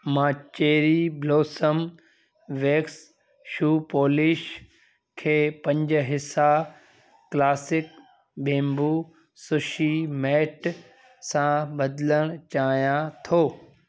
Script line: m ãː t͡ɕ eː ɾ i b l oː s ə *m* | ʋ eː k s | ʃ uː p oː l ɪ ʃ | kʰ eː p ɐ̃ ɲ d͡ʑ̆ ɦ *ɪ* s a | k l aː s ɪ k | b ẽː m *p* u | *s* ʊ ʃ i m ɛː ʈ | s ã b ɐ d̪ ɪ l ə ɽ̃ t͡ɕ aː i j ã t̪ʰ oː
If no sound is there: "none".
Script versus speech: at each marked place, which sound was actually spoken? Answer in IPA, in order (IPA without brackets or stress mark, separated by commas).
m, ɪ, b, s